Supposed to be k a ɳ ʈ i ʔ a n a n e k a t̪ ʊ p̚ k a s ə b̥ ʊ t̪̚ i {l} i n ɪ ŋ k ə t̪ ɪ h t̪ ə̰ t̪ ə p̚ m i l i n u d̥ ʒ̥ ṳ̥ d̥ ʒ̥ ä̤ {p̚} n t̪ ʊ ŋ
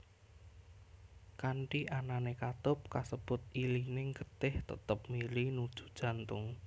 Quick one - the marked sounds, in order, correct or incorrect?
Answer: correct, incorrect: none

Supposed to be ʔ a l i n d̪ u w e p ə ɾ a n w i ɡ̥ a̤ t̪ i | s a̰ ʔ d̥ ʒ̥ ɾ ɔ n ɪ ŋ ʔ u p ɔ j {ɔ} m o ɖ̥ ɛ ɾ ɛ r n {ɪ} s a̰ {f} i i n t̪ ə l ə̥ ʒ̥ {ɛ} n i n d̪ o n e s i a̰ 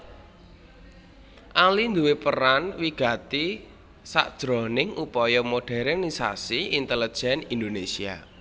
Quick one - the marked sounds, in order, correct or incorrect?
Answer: correct, incorrect: i, incorrect: s, correct

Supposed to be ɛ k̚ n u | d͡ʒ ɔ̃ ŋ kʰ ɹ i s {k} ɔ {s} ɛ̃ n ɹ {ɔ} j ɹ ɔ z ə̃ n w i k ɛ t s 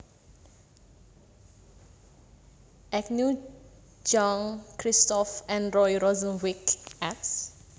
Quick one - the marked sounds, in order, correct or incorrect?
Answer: incorrect: t, incorrect: f, correct

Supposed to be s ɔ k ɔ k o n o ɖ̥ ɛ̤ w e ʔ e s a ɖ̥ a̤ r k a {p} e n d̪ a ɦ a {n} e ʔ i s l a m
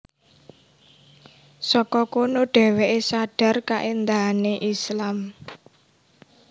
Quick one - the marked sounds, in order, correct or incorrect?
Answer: incorrect: ʔ, correct

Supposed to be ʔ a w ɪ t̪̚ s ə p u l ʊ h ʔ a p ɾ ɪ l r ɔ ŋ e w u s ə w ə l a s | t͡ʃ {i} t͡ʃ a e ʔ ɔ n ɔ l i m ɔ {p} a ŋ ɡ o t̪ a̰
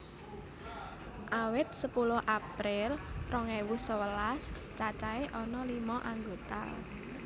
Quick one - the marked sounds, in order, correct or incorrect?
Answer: incorrect: a, incorrect: ʔ

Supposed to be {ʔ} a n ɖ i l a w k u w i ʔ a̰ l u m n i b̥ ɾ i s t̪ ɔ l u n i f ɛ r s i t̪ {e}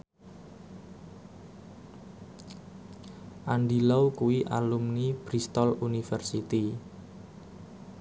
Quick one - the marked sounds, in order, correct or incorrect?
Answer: correct, incorrect: i

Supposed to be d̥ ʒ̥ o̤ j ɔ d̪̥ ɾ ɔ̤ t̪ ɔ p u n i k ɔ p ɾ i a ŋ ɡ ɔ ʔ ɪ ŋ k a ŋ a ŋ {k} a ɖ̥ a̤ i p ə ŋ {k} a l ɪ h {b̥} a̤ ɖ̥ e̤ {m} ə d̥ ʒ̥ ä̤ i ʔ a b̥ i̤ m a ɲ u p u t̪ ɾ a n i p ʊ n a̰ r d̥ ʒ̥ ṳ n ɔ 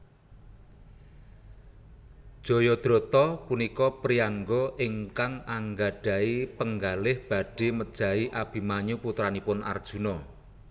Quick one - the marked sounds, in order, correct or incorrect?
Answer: incorrect: ɡ, incorrect: ɡ, correct, correct

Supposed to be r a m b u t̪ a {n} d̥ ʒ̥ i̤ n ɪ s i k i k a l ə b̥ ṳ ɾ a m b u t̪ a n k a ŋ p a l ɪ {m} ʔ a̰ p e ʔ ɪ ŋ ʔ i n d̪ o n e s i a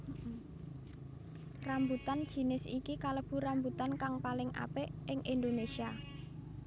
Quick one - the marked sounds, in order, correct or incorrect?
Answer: correct, incorrect: ŋ

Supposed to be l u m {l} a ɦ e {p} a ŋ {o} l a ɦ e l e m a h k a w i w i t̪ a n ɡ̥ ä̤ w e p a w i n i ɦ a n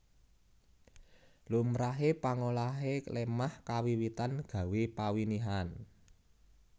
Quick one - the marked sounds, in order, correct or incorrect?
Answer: incorrect: ɾ, correct, correct

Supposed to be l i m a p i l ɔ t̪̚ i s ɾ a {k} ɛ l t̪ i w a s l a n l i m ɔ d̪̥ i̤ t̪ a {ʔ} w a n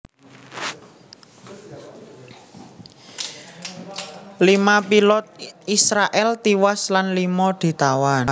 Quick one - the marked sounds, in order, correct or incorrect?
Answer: incorrect: ʔ, incorrect: none

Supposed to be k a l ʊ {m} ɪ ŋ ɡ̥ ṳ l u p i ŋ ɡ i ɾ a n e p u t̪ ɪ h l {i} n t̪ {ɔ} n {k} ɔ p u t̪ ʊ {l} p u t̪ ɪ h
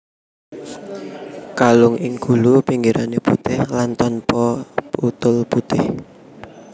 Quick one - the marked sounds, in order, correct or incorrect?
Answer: incorrect: ŋ, incorrect: a, correct, incorrect: p, correct

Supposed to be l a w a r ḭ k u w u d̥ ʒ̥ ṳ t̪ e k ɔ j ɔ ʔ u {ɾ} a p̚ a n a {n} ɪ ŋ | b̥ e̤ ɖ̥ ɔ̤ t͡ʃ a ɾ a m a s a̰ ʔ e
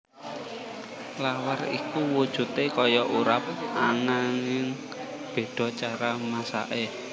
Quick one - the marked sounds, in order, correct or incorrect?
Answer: correct, incorrect: ŋ

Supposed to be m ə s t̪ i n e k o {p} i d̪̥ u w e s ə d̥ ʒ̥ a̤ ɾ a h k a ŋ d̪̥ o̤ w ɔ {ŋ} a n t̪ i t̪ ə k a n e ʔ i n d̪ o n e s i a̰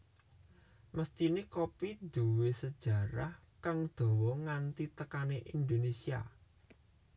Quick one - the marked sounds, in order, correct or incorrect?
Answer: correct, correct

